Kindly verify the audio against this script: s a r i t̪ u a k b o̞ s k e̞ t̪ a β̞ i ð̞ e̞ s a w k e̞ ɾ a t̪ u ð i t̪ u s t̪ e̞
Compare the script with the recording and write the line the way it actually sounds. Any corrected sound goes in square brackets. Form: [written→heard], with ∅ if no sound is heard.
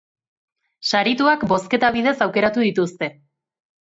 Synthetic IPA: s a [r→ɾ] i t̪ u a k b o̞ s k e̞ t̪ a β̞ i ð̞ e̞ s a w k e̞ ɾ a t̪ u ð i t̪ u s t̪ e̞